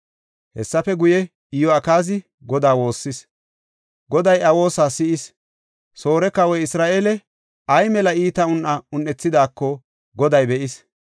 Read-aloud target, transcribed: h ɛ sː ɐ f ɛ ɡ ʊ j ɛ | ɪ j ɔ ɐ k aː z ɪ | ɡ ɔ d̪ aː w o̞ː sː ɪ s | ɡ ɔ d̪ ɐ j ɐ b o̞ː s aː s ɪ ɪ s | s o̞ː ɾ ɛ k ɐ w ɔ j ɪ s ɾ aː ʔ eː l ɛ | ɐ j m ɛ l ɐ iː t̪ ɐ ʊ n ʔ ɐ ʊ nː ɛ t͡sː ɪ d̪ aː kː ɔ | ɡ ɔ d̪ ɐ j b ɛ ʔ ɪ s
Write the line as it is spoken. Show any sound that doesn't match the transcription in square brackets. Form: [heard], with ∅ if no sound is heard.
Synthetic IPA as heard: h ɛ sː ɐ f ɛ ɡ ʊ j ɛ | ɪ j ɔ ɐ k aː z ɪ | ɡ ɔ d̪ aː w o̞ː sː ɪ s | ɡ ɔ d̪ ɐ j ɐ [w] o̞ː s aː s ɪ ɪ s | s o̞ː ɾ ɛ k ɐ w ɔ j ɪ s ɾ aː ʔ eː l ɛ | ɐ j m ɛ l ɐ iː t̪ ɐ ʊ n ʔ ɐ ʊ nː ɛ t͡sː ɪ d̪ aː kː ɔ | ɡ ɔ d̪ ɐ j b ɛ ʔ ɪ s